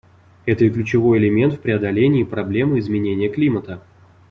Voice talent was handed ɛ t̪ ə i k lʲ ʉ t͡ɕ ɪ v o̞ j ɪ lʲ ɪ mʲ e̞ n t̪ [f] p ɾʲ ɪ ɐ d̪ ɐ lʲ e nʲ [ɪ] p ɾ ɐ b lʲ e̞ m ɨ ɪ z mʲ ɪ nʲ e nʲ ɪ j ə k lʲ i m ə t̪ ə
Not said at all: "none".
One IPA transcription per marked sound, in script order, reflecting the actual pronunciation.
f, ɪː

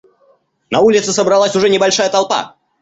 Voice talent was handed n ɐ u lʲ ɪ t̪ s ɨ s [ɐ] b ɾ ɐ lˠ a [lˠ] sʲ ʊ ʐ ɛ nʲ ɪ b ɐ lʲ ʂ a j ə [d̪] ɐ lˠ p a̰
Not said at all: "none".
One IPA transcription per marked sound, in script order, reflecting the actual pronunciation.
ə, none, t̪

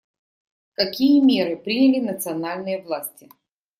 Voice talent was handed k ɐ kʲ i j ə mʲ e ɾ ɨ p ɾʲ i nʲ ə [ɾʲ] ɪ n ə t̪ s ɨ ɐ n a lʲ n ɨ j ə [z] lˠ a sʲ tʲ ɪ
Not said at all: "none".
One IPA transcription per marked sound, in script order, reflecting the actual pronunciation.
lʲ, v

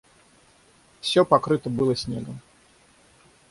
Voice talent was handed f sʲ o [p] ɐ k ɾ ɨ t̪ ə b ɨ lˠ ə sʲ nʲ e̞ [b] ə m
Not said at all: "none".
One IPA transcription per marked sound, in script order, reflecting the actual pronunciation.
p, ɡ

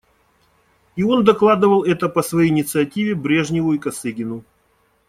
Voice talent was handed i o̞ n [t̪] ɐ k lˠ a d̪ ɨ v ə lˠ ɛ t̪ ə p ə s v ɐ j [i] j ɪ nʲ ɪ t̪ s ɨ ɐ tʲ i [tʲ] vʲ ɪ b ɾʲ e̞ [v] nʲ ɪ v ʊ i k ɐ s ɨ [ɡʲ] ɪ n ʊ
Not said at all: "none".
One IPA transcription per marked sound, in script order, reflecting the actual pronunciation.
d̪, e, none, ʐ, ɡʲ

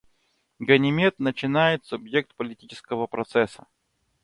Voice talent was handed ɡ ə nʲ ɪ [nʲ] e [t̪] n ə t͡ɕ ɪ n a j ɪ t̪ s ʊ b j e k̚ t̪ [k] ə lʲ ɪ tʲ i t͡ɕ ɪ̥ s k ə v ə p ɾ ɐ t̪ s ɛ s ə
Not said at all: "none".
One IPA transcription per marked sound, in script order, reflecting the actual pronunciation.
mʲ, t̪, p

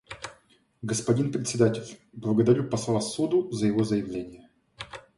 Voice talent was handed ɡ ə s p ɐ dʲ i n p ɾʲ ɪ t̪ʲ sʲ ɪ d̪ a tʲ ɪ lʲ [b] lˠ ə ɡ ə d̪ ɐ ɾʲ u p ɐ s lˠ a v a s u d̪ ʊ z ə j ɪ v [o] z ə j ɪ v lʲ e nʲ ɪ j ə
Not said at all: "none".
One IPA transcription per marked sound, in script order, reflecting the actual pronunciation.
b, o

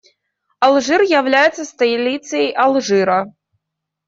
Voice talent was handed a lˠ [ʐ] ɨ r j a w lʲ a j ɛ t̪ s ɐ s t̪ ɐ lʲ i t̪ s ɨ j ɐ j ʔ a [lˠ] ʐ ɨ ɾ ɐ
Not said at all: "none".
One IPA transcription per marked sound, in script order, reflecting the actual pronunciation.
ʐ, lˠ

